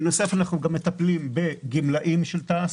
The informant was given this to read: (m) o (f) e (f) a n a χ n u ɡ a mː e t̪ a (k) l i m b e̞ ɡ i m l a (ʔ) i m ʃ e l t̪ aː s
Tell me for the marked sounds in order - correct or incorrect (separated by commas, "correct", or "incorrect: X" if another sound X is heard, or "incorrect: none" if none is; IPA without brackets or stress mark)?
incorrect: n, incorrect: s, correct, incorrect: p, correct